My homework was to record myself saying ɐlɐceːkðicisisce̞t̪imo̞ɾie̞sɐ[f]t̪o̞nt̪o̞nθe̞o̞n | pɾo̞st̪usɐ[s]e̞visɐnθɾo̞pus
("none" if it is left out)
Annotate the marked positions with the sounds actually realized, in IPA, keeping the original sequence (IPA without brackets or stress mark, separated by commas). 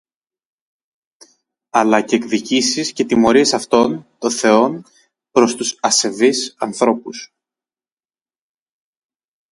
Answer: f, s